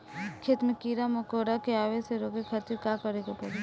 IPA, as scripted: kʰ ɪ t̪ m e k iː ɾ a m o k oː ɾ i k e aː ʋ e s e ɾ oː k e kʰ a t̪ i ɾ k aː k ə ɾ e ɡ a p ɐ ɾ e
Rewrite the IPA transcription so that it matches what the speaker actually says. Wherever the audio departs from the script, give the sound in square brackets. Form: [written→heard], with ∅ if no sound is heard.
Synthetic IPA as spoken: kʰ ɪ t̪ m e k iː ɾ a m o k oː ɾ [i→a] k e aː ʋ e s e ɾ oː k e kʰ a t̪ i ɾ k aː k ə ɾ e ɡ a p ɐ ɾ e